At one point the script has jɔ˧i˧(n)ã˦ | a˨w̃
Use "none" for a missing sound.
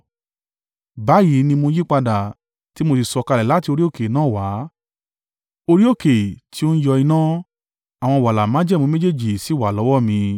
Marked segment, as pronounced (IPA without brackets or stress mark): n